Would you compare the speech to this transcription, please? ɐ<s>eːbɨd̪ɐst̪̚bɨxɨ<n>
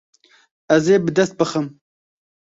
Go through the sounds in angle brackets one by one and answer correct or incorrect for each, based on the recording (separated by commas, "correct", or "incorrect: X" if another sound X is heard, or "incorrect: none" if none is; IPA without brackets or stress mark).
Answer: incorrect: z, incorrect: m